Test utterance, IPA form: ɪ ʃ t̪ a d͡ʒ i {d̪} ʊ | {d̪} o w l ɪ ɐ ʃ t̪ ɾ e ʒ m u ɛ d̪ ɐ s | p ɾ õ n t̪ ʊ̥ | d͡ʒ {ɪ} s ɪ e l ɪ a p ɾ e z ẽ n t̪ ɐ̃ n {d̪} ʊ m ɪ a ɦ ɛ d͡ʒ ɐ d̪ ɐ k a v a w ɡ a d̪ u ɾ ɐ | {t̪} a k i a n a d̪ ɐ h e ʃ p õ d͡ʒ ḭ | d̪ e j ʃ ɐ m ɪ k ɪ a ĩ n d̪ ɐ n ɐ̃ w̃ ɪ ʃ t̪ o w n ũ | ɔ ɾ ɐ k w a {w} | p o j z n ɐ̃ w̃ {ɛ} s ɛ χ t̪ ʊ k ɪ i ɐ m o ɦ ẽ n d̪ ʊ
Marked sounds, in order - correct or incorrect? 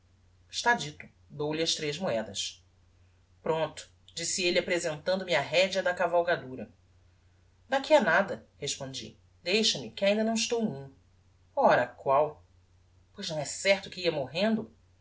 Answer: incorrect: t̪, correct, incorrect: i, correct, incorrect: d̪, correct, correct

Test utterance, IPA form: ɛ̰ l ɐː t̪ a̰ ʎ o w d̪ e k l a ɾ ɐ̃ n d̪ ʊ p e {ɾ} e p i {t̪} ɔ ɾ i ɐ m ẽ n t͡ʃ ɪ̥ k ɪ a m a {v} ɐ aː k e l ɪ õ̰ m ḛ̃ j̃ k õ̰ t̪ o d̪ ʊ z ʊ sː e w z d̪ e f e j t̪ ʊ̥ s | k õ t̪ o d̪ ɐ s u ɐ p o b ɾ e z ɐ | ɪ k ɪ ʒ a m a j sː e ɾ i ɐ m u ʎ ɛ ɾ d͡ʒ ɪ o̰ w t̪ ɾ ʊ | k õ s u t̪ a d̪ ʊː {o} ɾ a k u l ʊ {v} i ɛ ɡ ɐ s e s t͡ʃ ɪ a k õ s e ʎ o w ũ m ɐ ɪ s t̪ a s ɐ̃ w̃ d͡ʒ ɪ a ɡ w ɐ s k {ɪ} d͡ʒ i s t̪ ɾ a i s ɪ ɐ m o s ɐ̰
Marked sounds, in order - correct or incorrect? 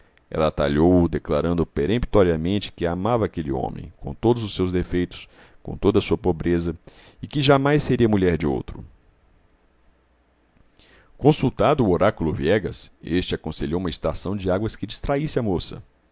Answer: correct, correct, correct, correct, correct, correct

